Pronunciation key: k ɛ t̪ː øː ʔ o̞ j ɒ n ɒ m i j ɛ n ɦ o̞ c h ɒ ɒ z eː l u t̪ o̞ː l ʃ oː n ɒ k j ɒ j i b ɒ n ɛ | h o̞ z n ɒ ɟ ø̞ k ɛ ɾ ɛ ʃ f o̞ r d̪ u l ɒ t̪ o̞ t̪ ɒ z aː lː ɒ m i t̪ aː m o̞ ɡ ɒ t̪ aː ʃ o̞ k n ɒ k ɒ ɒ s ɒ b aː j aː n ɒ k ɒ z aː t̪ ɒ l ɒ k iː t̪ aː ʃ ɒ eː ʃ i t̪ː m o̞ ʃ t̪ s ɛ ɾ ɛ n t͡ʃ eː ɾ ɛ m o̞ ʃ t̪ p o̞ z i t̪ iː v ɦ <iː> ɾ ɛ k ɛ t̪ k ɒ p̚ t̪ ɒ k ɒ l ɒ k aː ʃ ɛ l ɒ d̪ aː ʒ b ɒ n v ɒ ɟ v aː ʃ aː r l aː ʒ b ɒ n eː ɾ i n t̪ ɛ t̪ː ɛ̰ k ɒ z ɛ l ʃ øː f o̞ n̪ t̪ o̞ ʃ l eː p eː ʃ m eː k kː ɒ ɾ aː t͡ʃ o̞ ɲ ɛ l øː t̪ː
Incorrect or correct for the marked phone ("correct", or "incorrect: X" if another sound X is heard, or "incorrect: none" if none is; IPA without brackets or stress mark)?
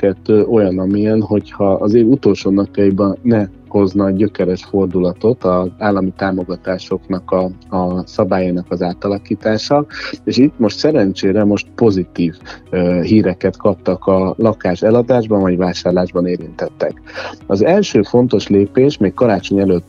correct